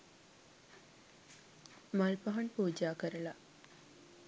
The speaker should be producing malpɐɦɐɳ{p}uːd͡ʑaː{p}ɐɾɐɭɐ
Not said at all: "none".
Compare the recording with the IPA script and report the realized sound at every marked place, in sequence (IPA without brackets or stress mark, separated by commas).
p, k